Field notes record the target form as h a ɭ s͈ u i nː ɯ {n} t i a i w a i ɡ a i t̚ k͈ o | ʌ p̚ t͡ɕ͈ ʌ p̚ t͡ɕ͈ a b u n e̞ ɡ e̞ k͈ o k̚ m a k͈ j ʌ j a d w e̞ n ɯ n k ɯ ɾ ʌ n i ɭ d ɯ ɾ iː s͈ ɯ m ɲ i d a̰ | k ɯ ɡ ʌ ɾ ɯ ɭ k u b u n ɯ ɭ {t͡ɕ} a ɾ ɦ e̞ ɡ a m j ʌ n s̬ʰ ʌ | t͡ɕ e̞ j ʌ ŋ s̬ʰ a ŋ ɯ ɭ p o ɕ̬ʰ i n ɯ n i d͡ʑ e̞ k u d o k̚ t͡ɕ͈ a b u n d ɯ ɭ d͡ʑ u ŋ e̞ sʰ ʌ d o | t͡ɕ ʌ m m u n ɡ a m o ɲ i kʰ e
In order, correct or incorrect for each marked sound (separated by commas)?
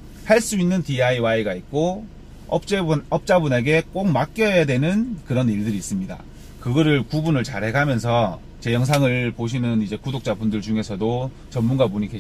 correct, correct